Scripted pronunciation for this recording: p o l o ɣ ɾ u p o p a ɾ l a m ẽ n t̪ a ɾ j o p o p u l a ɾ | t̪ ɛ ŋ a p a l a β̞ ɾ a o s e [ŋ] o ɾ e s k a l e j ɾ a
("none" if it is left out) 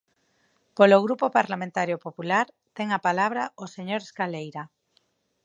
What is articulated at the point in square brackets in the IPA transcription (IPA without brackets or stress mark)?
ɲ